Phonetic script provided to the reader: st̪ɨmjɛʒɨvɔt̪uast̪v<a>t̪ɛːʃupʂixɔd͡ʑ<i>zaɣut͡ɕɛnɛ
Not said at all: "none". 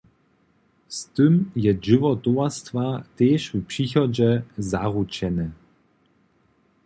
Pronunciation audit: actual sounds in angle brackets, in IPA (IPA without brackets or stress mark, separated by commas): a, ɛ